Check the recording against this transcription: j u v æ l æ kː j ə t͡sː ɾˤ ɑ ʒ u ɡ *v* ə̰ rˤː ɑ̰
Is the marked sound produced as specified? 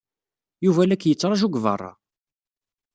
yes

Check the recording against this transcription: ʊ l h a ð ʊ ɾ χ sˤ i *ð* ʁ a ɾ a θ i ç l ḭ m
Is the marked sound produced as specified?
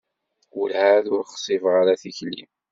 no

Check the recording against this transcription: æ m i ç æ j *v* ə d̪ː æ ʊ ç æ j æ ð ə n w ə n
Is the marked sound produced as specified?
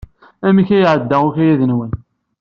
no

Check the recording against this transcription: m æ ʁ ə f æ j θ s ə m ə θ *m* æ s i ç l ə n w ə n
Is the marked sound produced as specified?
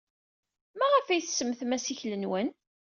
yes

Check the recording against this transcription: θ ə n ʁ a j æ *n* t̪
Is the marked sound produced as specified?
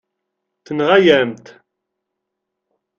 no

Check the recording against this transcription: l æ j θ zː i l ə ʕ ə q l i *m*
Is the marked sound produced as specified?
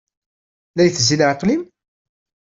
yes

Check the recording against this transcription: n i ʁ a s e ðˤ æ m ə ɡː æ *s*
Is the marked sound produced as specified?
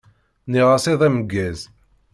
no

